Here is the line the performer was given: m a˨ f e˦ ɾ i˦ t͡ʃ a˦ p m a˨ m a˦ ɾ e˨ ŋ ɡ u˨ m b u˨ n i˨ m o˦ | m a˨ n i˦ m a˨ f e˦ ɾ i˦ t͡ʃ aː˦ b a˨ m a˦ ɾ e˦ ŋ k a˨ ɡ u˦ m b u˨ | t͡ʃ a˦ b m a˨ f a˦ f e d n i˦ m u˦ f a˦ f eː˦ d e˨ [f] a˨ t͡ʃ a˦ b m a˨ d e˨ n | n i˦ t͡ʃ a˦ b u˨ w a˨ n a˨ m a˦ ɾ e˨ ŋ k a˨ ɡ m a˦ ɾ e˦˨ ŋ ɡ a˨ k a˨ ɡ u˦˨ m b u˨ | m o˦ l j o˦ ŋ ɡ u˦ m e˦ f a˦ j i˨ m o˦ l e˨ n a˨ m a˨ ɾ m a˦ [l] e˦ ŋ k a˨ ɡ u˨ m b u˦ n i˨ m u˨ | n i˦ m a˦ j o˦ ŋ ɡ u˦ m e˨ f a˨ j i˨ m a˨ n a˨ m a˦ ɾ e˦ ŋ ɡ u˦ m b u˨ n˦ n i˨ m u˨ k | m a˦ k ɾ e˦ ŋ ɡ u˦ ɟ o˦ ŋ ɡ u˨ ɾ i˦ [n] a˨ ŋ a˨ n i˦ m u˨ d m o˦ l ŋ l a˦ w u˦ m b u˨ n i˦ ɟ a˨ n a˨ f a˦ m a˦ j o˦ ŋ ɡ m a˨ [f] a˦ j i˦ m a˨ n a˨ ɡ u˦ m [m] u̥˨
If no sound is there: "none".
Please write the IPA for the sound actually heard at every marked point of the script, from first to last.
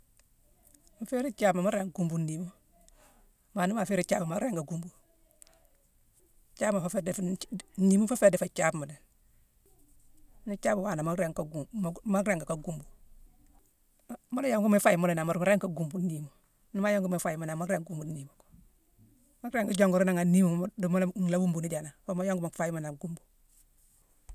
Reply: f, ɾ, n, f, b

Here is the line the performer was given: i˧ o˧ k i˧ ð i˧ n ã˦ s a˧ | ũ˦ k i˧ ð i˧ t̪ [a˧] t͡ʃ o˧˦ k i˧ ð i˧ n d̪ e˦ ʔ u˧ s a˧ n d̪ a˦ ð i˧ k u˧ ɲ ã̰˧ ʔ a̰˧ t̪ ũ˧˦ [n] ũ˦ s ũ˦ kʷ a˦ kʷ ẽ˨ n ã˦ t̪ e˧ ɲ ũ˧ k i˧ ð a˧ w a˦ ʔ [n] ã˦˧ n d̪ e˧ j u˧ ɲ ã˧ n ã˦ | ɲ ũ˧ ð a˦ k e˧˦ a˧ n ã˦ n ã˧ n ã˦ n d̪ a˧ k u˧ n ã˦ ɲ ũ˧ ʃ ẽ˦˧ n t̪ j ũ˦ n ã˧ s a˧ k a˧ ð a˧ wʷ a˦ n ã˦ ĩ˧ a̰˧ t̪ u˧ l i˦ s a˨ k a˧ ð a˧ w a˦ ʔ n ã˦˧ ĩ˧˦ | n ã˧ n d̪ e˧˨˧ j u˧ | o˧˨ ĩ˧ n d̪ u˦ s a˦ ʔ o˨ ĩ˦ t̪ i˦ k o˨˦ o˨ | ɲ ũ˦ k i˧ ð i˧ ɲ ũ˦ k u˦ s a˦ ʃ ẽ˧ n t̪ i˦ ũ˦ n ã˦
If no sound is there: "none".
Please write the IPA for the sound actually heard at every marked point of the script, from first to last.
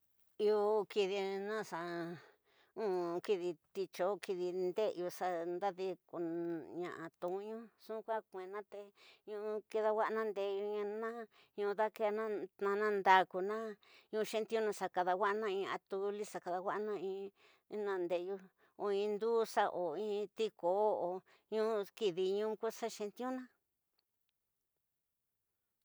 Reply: i˧, ɲ, n

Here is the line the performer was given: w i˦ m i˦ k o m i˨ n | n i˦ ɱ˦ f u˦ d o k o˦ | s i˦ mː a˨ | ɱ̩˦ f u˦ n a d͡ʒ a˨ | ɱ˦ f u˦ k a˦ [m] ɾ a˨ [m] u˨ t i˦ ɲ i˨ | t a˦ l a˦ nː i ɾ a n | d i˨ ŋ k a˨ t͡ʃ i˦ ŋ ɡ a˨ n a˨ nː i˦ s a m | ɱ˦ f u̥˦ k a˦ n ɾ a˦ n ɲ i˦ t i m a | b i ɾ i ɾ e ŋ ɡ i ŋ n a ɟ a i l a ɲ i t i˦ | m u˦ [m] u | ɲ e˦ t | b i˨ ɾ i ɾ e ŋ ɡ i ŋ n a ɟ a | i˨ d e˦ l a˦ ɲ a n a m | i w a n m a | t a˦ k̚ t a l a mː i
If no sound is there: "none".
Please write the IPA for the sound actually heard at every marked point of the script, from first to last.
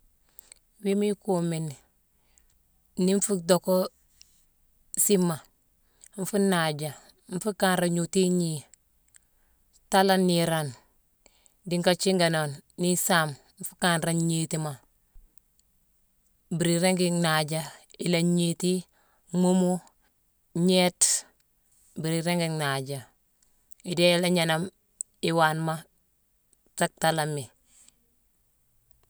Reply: n, ɲ, m

